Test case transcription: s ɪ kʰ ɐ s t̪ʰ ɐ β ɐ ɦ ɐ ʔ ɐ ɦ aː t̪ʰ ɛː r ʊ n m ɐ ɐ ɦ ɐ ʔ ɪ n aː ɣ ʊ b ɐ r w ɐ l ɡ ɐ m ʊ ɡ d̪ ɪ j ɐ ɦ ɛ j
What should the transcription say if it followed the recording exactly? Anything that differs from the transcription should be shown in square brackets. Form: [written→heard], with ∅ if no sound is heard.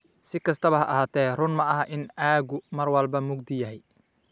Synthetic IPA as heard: s ɪ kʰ ɐ s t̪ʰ ɐ β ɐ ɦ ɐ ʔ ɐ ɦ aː t̪ʰ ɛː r ʊ n m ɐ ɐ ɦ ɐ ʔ ɪ n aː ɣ ʊ [b→m] ɐ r w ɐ l [ɡ→b] ɐ m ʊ ɡ d̪ ɪ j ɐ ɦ ɛ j